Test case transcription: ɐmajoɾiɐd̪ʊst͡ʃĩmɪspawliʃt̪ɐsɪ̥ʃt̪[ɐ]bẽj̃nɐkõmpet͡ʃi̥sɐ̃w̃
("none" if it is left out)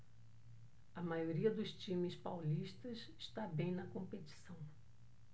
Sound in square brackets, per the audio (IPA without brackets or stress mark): a